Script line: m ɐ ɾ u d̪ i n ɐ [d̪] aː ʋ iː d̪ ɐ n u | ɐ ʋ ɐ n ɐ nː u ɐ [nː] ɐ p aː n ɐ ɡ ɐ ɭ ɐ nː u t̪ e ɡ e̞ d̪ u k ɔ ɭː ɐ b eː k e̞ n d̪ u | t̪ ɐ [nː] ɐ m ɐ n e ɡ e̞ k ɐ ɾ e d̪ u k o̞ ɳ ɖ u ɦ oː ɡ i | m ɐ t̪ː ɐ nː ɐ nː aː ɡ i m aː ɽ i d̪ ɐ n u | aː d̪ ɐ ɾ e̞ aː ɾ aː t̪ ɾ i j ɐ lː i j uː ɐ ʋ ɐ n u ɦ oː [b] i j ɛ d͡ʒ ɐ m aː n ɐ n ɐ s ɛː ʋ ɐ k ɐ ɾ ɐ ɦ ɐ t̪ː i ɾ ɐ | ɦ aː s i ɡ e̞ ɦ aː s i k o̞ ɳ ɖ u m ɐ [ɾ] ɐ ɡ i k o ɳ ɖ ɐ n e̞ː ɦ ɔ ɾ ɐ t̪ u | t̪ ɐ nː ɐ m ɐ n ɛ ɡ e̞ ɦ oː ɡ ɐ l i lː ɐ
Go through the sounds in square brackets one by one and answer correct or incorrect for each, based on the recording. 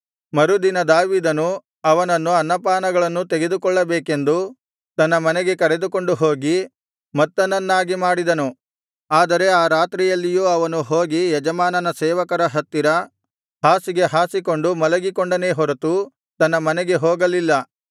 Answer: correct, correct, correct, incorrect: ɡ, incorrect: l

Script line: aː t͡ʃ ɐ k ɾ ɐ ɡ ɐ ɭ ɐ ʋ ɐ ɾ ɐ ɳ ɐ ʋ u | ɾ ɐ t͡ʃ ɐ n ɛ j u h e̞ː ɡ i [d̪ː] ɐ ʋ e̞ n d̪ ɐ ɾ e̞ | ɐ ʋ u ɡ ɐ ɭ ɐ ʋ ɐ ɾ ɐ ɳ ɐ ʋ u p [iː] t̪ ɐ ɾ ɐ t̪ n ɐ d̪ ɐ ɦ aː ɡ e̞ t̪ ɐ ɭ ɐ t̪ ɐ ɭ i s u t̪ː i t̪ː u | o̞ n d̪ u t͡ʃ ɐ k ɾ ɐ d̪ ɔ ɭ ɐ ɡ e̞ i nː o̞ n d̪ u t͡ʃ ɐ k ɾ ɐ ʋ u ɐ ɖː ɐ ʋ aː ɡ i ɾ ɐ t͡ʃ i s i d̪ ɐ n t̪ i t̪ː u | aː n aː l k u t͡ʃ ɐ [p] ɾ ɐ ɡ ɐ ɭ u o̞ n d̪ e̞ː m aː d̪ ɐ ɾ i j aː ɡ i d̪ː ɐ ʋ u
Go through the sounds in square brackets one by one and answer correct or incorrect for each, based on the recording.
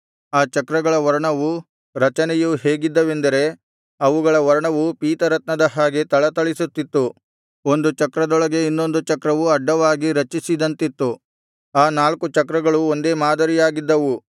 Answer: correct, correct, incorrect: k

